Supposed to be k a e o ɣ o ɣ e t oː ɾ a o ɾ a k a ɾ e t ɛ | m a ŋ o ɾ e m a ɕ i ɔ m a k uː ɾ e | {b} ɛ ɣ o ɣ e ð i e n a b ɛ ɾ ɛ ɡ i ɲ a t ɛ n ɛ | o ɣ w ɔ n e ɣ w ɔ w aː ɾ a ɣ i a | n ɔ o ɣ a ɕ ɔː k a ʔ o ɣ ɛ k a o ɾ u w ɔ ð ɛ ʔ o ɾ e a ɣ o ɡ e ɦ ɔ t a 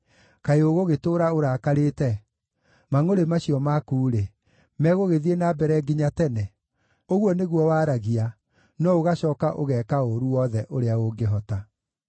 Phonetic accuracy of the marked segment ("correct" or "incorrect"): incorrect